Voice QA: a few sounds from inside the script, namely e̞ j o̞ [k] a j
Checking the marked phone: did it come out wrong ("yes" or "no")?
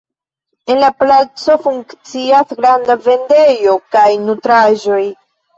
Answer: no